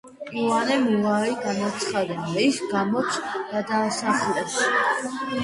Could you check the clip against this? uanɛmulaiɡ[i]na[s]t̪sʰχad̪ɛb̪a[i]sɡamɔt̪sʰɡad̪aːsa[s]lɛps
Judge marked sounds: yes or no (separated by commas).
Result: no, no, yes, no